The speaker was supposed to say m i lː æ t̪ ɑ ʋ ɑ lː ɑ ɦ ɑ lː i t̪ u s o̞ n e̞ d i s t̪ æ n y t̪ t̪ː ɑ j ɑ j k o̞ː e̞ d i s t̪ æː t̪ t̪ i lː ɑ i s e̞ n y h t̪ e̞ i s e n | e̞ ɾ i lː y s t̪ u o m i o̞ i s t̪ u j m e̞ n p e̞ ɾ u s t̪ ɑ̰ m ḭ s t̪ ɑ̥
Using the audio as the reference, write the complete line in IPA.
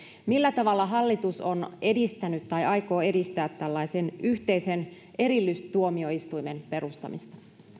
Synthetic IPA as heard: m i lː æ t̪ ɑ ʋ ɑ lː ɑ ɦ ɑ lː i t̪ u s o̞ n e̞ d i s t̪ æ n y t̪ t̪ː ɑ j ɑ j k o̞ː e̞ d i s t̪ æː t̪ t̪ æ lː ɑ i s e̞ n y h t̪ e̞ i s e n | e̞ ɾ i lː y s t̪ u o m i o̞ i s t̪ u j m e̞ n p e̞ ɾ u s t̪ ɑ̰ m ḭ s t̪ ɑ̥